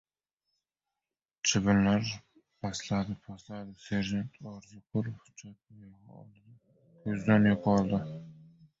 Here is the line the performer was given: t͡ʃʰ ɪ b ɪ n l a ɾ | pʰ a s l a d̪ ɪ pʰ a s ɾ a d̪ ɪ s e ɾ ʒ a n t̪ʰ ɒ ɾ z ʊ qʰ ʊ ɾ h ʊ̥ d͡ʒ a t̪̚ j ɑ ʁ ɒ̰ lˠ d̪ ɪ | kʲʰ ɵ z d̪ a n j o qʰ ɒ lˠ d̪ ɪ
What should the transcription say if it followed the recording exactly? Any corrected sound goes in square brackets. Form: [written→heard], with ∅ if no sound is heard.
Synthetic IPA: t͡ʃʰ ɪ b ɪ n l a ɾ | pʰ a s l a d̪ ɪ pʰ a s [ɾ→l] a d̪ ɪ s e ɾ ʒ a n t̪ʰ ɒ ɾ z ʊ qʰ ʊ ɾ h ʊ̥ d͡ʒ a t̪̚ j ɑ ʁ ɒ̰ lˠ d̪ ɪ | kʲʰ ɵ z d̪ a n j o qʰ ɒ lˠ d̪ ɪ